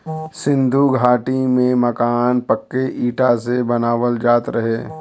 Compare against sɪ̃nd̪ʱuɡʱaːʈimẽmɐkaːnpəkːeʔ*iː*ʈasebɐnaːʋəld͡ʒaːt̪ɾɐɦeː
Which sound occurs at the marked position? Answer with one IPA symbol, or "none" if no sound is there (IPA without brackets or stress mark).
iː